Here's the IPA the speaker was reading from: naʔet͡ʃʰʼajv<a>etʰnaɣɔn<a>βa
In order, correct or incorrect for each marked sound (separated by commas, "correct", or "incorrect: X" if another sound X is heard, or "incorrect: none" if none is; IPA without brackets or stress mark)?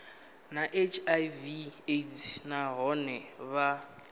incorrect: i, incorrect: ɛ